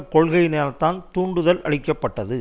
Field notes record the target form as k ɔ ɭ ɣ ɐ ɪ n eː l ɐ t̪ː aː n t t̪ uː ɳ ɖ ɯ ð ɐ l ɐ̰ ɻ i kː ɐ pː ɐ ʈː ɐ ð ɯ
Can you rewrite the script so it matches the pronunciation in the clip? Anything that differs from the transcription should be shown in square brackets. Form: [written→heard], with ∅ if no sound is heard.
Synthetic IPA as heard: k ɔ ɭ ɣ ɐ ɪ n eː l ɐ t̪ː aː n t t̪ uː ɳ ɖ ɯ ð ɐ l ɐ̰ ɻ [i→ɪ] kː ɐ pː ɐ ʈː ɐ ð ɯ